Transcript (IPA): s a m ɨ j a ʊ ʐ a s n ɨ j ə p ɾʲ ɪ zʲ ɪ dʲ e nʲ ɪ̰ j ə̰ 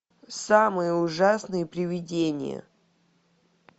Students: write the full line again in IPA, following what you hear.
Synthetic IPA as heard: s a m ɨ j ə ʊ ʐ a s n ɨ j ə p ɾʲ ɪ vʲ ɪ dʲ e nʲ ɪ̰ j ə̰

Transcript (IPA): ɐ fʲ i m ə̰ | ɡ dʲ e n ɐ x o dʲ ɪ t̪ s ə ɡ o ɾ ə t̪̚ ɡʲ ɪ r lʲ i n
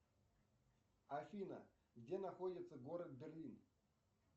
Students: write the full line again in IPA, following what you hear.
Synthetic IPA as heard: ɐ fʲ i n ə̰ | ɡ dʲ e n ɐ x o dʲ ɪ t̪ s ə ɡ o ɾ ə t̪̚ bʲ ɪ r lʲ i n

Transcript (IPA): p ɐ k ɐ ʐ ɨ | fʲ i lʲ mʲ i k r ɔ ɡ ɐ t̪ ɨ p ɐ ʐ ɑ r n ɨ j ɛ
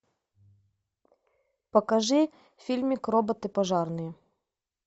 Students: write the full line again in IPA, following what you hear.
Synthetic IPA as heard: p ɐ k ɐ ʐ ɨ | fʲ i lʲ mʲ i k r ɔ b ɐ t̪ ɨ p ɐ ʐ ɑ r n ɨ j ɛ

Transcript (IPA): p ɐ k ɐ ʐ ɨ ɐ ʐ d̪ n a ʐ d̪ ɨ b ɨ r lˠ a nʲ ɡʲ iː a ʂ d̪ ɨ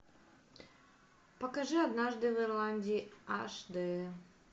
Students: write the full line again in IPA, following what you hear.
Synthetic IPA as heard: p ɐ k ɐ ʐ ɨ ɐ d̪ n a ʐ d̪ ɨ v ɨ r lˠ a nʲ dʲ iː a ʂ d̪ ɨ

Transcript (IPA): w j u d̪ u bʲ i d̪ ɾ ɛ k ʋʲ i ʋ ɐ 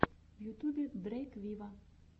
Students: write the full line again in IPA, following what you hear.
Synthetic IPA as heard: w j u t̪ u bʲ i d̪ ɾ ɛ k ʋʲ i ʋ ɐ

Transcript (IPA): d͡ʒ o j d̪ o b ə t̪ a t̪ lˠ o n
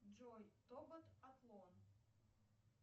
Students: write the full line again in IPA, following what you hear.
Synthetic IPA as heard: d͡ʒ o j t̪ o b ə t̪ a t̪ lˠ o n

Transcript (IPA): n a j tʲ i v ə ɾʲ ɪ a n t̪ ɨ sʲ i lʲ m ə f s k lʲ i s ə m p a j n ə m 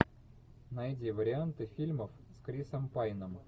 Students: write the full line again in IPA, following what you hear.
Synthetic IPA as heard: n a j dʲ i v ə ɾʲ ɪ a n t̪ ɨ fʲ i lʲ m ə f s k ɾʲ i s ə m p a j n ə m

